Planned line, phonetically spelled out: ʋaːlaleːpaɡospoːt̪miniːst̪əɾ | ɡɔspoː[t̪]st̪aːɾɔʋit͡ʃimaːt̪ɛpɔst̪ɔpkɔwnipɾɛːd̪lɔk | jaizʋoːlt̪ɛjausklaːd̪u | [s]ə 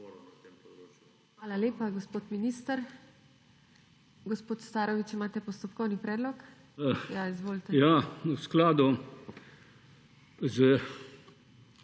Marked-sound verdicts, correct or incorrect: correct, incorrect

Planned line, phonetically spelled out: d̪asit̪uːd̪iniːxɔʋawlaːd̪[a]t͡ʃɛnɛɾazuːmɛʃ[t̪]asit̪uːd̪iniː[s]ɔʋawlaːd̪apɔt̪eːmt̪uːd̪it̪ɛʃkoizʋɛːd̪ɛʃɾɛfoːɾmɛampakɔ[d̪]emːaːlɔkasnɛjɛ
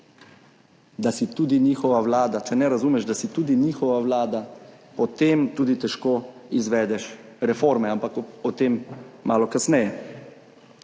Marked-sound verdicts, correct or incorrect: correct, incorrect, incorrect, incorrect

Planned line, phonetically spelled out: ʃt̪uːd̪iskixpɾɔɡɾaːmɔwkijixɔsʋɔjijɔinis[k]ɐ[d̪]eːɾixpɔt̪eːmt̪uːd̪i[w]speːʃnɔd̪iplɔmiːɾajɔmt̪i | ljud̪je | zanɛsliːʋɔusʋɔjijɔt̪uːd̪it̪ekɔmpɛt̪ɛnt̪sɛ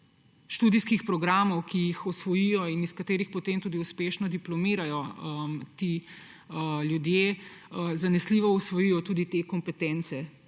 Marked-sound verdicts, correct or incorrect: correct, incorrect, incorrect

